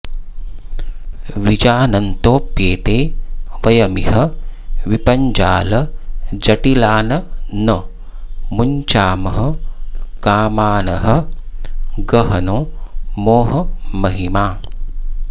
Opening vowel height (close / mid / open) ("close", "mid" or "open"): close